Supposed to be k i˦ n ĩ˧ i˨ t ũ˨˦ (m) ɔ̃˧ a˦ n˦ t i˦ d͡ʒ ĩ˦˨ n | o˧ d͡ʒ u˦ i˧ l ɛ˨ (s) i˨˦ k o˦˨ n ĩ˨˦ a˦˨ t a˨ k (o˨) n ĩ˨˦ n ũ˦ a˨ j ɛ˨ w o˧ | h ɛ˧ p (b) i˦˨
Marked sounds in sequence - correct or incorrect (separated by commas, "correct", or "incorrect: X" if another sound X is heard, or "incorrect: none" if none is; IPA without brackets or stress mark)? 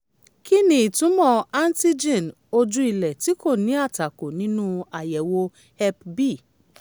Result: correct, incorrect: t, correct, correct